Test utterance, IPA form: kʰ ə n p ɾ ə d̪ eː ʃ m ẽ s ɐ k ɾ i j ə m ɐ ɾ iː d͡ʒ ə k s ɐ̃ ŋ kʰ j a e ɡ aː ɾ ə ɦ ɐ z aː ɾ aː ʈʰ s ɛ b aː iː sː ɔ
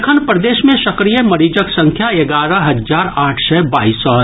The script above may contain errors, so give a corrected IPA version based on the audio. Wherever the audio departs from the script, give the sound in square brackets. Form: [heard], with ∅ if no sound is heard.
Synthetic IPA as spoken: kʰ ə n p ɾ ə d̪ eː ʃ m ẽ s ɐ k ɾ i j ə m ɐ ɾ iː d͡ʒ ə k s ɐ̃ ŋ kʰ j a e ɡ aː ɾ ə ɦ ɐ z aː ɾ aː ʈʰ s ɛ b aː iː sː ɔ